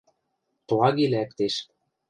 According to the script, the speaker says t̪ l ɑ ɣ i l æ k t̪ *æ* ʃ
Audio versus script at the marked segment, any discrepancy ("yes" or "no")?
yes